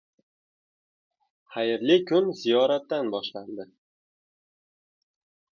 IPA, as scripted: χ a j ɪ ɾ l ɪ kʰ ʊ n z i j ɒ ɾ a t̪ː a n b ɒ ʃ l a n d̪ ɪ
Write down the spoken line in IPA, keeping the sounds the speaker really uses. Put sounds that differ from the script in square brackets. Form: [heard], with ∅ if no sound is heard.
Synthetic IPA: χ a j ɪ ɾ l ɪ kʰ ʊ n z i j ɒ ɾ a t̪ː a n b ɒ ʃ l a n d̪ ɪ